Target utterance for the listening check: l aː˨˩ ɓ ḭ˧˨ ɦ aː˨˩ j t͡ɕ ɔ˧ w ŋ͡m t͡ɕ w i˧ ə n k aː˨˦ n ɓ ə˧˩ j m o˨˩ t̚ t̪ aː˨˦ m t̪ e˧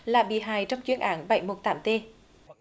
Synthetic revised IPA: l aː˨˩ ɓ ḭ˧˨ ɦ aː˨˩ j t͡ɕ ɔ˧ w ŋ͡m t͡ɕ w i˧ ə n ʔ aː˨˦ n ɓ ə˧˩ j m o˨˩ t̚ t̪ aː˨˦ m t̪ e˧